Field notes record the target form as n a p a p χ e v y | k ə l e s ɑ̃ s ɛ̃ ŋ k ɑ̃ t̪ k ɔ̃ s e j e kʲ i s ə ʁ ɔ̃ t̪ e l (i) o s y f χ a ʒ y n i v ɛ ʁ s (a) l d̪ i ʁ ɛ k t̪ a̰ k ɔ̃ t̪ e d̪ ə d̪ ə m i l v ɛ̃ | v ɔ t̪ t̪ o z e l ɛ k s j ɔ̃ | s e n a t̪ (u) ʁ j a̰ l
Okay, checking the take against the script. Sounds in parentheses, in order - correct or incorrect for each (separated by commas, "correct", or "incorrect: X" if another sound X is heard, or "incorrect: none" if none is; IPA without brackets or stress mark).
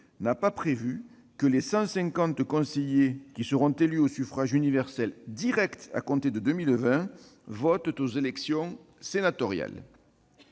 incorrect: y, incorrect: ɛ, incorrect: ɔ